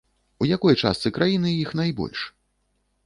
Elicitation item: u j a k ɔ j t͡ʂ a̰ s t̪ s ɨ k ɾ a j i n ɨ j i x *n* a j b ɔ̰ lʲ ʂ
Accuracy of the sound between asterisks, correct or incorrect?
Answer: correct